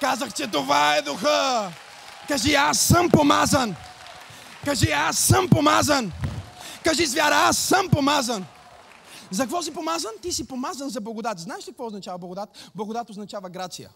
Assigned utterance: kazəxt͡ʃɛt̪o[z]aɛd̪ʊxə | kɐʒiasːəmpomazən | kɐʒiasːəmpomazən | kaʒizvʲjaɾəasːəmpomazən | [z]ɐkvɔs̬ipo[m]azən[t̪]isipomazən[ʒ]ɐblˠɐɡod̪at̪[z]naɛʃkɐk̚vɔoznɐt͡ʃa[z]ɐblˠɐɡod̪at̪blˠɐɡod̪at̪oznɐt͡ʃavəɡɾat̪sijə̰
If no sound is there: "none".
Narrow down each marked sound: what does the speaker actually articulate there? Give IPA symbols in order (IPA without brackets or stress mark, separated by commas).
v, z, m, t̪, z, z, v